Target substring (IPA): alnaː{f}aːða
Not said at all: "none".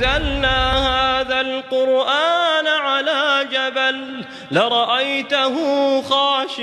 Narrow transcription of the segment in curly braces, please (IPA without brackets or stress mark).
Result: h